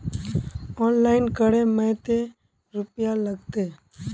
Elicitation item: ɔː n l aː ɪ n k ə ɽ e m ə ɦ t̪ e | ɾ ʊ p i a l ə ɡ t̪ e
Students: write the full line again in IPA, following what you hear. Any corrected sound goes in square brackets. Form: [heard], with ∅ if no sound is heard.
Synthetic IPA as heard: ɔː n l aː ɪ n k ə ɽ e m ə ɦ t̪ e | ɾ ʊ p [j] a l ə ɡ t̪ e

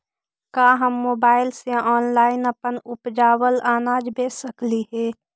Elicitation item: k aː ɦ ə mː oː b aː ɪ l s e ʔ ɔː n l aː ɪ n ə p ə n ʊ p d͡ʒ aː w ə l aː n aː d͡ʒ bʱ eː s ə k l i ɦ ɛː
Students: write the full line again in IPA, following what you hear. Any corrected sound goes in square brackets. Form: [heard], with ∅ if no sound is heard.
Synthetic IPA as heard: k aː ɦ ə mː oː b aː ɪ l s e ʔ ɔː n l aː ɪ n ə p ə n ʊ p d͡ʒ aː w ə l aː n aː d͡ʒ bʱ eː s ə k l i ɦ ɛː

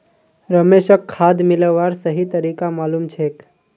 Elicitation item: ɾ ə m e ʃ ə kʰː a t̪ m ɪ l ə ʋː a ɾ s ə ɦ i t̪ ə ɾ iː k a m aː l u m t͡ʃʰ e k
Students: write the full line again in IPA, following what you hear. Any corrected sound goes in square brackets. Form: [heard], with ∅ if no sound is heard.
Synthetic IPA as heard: ɾ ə m e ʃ ə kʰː a [d̪] m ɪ l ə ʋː a ɾ s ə ɦ i t̪ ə ɾ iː k a m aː l u m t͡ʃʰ e k

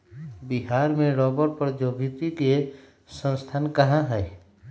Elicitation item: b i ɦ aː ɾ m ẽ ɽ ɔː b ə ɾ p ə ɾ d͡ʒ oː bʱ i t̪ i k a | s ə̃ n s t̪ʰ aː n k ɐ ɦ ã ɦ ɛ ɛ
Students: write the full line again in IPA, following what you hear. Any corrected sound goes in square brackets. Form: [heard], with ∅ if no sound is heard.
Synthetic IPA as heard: b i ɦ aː ɾ m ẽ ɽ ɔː b ə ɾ p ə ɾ d͡ʒ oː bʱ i t̪ i k [e] | s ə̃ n s t̪ʰ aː n k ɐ ɦ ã ɦ ɛ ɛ

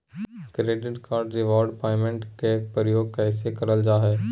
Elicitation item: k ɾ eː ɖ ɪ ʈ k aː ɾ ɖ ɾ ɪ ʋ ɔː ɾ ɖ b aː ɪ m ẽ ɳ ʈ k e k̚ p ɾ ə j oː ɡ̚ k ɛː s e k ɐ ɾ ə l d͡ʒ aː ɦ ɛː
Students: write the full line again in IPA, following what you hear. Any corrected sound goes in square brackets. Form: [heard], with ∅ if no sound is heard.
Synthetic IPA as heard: k ɾ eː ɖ ɪ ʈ k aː ɾ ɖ ɾ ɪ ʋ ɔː ɾ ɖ [p] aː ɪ m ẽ ɳ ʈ k e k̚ p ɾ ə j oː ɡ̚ k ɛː s e k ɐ ɾ ə l d͡ʒ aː ɦ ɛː

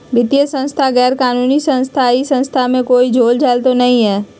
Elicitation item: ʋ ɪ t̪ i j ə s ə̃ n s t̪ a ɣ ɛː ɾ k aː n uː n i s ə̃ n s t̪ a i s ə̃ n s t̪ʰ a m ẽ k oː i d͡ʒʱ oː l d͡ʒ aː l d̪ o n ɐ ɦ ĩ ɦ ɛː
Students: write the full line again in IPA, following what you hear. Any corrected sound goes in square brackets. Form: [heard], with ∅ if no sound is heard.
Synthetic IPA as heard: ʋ ɪ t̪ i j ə s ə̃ n s [t̪ʰ] a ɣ ɛː ɾ k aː n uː n i s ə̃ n s [t̪ʰ] a i s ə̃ n s t̪ʰ a m ẽ k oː i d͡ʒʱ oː l d͡ʒ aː l [t̪] o n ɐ ɦ ĩ ɦ ɛː

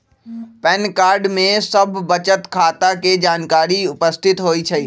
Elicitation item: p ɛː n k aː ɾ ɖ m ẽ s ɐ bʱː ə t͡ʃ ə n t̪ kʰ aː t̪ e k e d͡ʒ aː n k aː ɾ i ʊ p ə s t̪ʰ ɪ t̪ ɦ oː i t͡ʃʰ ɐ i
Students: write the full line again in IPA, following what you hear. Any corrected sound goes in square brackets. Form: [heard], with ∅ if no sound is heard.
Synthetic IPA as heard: p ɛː n k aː ɾ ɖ m ẽ s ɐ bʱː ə t͡ʃ ə [∅] t̪ kʰ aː t̪ [a] k e d͡ʒ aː n k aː ɾ i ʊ p ə s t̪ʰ ɪ t̪ ɦ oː i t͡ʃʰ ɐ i

